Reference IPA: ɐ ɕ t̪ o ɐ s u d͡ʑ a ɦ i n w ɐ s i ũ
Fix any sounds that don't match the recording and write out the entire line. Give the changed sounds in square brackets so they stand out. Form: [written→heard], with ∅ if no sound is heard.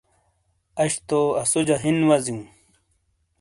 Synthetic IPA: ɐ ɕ t̪ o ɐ s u d͡ʑ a ɦ i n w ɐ [s→z] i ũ